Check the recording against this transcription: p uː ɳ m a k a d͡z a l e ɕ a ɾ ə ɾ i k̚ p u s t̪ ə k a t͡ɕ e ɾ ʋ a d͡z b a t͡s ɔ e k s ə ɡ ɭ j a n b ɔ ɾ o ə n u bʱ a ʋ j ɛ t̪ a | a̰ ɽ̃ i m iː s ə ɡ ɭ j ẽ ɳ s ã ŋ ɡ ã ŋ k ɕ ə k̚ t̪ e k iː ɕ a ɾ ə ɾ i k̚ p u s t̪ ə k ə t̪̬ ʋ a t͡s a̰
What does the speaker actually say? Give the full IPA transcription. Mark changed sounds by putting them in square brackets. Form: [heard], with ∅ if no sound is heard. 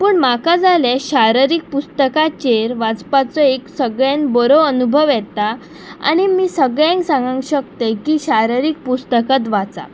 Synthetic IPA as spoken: p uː ɳ m a k a d͡z a l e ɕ a ɾ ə ɾ i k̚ p u s t̪ ə k a t͡ɕ e ɾ ʋ a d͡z [p] a t͡s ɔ e k s ə ɡ ɭ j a n b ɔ ɾ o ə n u bʱ [ə] ʋ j ɛ t̪ a | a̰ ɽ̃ i m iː s ə ɡ ɭ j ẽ [ŋ] s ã ŋ ɡ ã ŋ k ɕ ə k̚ t̪ e k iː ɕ a ɾ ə ɾ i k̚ p u s t̪ ə k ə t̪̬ ʋ a t͡s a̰